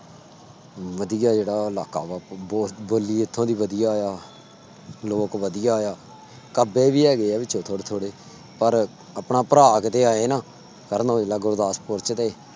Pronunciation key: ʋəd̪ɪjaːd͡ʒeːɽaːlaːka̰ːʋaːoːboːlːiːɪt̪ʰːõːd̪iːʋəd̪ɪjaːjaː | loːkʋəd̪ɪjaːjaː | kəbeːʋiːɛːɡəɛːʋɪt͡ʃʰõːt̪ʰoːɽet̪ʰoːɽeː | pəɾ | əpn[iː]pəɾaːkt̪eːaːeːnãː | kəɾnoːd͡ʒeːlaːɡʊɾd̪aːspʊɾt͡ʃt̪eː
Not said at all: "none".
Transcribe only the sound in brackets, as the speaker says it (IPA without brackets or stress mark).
aː